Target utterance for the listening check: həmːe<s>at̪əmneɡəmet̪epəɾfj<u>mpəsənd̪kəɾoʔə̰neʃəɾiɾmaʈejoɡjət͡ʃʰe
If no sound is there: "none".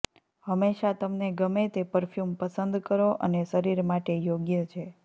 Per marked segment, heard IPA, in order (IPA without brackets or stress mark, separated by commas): ʃ, u